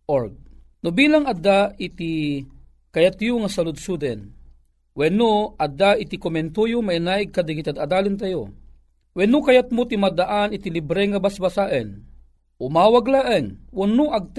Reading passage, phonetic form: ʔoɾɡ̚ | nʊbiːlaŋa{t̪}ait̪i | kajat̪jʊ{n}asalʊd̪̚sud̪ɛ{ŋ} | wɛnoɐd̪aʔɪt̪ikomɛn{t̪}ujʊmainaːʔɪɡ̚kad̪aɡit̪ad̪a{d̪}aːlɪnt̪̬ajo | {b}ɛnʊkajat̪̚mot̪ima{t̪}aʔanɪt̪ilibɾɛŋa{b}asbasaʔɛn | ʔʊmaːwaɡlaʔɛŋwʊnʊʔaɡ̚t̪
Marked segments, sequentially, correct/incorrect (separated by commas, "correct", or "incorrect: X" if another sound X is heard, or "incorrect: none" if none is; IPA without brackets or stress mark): incorrect: d̪, incorrect: ŋ, incorrect: n, correct, correct, incorrect: w, incorrect: d̪, correct